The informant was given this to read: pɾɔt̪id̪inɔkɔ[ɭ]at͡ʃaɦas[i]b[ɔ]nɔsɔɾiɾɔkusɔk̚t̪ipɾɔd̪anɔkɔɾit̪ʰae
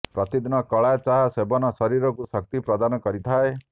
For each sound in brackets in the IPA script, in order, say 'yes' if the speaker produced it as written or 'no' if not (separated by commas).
yes, no, yes